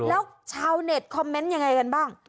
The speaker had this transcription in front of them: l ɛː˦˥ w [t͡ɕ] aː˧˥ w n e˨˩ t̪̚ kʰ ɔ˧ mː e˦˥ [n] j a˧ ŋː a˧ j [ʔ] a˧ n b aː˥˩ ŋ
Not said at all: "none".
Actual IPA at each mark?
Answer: t͡ɕʰ, n, k

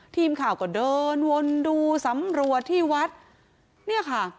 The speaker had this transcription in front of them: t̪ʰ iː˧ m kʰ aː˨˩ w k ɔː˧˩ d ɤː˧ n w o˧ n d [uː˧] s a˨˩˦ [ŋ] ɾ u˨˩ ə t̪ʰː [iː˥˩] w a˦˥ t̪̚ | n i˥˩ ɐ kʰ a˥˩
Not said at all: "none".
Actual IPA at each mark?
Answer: uː˧, m, iː˥˩

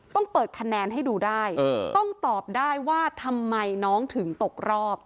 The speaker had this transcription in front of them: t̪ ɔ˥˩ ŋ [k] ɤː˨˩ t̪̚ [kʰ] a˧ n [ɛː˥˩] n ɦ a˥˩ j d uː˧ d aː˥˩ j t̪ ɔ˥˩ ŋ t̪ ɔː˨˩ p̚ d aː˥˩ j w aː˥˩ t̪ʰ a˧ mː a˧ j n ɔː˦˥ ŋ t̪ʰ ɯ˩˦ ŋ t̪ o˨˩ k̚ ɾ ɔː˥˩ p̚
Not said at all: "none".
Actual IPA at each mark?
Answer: p, kʰ, ɛː˧

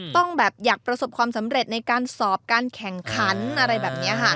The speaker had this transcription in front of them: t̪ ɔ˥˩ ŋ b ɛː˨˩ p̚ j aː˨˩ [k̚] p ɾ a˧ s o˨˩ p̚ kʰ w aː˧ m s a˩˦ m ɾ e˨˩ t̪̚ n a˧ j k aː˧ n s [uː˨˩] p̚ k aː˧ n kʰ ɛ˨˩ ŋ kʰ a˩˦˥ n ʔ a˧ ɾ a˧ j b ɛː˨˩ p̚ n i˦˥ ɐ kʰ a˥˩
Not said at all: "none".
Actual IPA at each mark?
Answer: k̚, ɔː˨˩

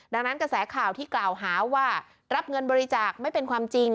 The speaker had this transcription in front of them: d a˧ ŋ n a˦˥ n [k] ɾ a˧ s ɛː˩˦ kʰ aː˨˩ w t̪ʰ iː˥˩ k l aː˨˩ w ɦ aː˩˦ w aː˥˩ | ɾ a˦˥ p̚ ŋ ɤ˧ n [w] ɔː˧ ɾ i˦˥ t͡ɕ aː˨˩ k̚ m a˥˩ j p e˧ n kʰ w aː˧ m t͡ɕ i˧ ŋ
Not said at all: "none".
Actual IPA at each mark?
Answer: k, b

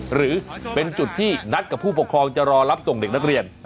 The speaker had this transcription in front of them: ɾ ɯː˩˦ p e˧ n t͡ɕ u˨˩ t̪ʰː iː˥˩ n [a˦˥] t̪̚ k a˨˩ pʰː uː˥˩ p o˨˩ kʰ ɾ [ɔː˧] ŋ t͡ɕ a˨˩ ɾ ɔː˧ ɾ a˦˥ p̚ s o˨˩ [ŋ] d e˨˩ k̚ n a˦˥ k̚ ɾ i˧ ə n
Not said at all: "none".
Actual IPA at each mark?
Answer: a˦˥, ɔː˧, ŋ

